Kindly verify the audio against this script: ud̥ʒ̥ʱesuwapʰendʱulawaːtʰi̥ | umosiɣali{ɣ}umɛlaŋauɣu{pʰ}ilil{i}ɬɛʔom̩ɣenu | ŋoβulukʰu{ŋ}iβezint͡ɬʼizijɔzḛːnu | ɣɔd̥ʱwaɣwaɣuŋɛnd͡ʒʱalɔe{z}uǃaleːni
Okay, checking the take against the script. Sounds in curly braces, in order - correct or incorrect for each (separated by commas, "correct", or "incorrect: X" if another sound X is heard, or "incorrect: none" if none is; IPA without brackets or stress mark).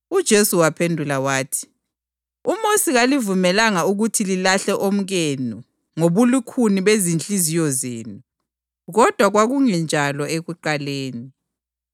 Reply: incorrect: v, incorrect: tʰ, incorrect: a, incorrect: n, incorrect: ɣ